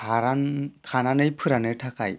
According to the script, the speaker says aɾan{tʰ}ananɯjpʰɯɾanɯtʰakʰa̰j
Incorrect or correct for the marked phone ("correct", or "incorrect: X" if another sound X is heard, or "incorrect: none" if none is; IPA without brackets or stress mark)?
incorrect: kʰ